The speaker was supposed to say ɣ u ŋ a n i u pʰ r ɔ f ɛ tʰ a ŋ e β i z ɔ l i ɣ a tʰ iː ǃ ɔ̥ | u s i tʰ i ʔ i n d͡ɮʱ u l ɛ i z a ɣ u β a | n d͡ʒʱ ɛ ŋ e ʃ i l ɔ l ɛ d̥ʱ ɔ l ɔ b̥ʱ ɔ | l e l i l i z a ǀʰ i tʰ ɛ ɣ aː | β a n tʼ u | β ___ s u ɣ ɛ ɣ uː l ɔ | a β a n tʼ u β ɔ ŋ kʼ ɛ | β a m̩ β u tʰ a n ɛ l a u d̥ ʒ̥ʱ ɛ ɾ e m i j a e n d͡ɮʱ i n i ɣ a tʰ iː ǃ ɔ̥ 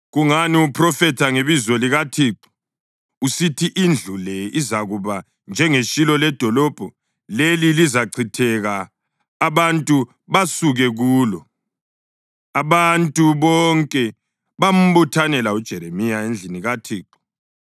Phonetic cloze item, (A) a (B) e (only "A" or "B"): A